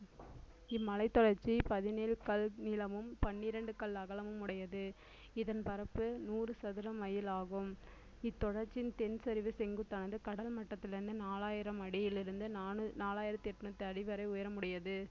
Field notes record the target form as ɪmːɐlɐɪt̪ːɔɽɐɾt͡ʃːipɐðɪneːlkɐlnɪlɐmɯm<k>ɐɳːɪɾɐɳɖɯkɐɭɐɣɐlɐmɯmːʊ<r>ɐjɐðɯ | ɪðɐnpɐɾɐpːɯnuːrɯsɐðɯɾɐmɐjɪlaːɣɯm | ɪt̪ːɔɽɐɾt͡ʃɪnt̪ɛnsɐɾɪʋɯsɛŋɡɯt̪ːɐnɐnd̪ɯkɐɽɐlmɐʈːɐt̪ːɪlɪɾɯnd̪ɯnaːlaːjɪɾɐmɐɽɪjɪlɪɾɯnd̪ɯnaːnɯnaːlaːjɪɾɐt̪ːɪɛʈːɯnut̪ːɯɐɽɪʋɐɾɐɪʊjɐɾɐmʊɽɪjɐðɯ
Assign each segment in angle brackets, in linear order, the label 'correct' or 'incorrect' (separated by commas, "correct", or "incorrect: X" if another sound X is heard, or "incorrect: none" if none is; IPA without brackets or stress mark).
incorrect: p, incorrect: ɽ